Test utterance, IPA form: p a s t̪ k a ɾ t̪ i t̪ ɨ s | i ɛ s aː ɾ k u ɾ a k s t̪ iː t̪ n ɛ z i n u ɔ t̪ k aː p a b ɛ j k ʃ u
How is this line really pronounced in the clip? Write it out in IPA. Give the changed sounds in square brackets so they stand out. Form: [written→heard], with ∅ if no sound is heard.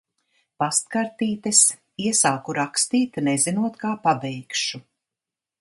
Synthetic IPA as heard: p a s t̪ k a ɾ t̪ [i→iː] t̪ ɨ s | i ɛ s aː [ɾ→∅] k u ɾ a k s t̪ iː t̪ n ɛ z i n u ɔ t̪ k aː p a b ɛ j k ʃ u